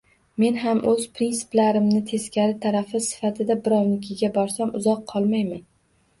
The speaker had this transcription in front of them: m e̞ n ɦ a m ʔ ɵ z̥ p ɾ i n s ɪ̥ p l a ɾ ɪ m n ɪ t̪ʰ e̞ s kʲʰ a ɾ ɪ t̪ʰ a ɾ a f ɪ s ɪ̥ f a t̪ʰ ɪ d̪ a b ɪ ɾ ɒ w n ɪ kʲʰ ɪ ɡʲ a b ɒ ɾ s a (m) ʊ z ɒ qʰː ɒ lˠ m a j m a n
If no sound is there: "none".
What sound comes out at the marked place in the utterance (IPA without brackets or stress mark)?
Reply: m